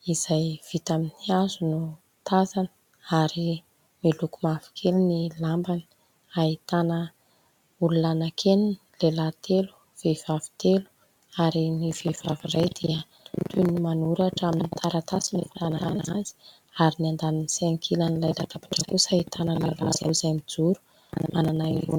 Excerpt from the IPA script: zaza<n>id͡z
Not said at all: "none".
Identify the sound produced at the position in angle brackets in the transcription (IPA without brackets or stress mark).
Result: m